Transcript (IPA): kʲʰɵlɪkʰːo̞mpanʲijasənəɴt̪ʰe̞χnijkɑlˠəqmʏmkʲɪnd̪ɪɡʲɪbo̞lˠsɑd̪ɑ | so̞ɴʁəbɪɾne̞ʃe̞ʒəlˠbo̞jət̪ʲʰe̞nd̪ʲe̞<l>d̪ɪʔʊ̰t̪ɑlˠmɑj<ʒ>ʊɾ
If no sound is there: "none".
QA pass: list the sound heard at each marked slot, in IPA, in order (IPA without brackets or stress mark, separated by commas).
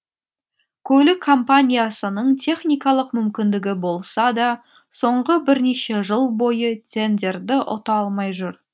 ɾ, ʒ